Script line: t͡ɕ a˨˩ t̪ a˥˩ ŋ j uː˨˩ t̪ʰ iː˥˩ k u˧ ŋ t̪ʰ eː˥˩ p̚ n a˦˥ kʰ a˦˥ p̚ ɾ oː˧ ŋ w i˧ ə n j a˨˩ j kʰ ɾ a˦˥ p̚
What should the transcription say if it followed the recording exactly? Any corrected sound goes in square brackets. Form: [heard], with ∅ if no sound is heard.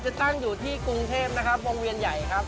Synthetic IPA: t͡ɕ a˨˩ t̪ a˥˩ ŋ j uː˨˩ t̪ʰ iː˥˩ k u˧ ŋ t̪ʰ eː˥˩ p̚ n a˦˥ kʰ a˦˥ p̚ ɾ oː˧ ŋ w i˧ ə n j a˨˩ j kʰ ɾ a˦˥ p̚